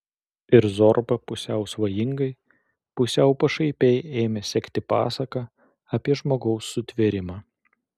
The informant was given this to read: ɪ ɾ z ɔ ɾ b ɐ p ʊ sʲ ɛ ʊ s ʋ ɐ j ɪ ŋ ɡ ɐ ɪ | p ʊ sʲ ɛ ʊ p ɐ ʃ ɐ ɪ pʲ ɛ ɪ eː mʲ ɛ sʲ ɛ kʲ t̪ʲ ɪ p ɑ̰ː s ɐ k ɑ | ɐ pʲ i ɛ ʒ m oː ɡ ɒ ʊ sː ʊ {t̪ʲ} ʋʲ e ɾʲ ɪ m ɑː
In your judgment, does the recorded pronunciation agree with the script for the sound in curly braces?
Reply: yes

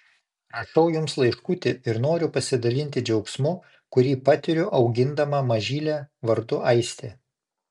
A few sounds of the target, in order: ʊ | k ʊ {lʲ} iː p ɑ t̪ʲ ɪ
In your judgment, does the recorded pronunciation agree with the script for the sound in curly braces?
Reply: no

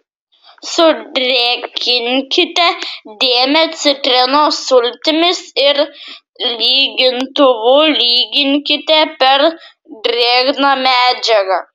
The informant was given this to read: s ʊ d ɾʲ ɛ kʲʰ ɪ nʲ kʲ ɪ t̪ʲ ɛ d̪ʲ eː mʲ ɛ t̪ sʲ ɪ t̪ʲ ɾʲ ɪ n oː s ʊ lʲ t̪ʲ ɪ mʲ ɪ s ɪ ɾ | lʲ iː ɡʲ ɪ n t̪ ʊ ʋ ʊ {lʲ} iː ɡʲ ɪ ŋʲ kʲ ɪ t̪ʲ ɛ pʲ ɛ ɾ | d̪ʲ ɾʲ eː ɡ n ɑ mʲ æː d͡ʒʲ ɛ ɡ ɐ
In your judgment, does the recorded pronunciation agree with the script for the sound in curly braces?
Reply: yes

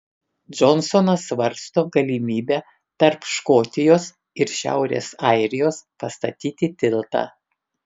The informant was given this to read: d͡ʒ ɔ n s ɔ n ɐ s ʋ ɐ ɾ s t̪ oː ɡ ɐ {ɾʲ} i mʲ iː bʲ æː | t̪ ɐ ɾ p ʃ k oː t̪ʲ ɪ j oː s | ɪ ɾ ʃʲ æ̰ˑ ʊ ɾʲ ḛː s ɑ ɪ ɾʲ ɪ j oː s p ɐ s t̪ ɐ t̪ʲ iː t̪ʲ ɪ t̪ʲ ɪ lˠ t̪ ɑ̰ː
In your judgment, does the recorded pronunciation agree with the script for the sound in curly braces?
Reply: no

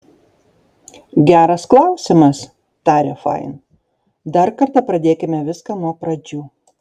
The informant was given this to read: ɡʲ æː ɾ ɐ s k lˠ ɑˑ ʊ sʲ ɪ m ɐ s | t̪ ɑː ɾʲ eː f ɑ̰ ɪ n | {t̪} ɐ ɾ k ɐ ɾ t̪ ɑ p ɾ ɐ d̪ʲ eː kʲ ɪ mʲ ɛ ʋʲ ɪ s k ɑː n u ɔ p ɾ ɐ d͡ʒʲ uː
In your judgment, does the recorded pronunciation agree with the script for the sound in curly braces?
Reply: no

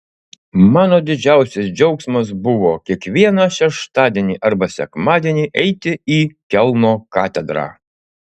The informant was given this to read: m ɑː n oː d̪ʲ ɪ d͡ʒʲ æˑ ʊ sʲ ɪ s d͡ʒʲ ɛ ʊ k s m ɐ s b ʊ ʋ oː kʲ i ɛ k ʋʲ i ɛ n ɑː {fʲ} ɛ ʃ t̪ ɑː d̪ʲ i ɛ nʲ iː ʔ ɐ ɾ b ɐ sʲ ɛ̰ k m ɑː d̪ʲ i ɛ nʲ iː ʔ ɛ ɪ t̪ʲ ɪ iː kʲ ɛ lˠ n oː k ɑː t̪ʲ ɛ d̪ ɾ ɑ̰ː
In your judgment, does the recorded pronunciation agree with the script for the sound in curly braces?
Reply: no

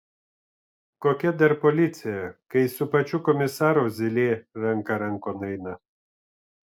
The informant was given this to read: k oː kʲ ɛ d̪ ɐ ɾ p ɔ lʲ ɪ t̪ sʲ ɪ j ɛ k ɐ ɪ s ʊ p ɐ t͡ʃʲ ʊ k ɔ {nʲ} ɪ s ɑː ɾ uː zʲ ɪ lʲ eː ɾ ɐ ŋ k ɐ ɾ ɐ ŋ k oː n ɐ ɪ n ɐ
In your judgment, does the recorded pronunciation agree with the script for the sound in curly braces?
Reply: no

